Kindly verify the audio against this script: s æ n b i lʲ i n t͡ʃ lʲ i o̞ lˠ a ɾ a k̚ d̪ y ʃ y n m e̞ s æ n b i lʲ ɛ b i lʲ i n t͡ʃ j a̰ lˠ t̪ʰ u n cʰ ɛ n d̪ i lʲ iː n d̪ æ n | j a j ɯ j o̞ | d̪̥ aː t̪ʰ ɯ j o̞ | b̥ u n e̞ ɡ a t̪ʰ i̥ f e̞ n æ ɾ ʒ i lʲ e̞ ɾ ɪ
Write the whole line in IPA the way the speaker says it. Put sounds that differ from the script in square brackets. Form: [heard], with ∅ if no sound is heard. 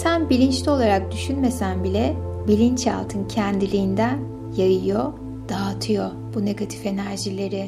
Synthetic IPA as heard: s æ n b i lʲ i n t͡ʃ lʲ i o̞ lˠ a ɾ a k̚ d̪ y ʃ y n m e̞ s æ n b i lʲ ɛ b i lʲ i n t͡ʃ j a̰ lˠ t̪ʰ [ɯ] n cʰ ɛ n d̪ i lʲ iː n d̪ æ n | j a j ɯ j o̞ | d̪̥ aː t̪ʰ ɯ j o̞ | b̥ u n e̞ ɡ a t̪ʰ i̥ f e̞ n æ ɾ ʒ i lʲ e̞ ɾ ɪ